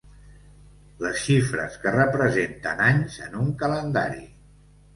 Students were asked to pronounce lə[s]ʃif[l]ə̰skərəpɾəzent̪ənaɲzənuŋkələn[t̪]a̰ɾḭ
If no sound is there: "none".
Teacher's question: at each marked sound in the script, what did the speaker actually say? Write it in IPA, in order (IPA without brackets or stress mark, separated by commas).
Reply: s, ɾ, d̪